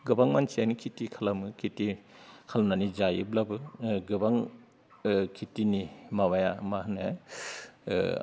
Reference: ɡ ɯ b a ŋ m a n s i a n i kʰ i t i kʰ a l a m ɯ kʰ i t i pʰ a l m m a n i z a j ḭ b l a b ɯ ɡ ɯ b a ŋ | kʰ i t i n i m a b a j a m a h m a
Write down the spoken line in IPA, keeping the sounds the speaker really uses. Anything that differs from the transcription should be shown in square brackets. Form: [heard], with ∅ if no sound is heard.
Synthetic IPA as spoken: ɡ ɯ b a ŋ m a n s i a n i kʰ i t i kʰ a l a m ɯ kʰ i t i [kʰ] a l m [n] a n i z a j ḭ b l a b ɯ ɡ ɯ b a ŋ | kʰ i t i n i m a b a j a m a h [n] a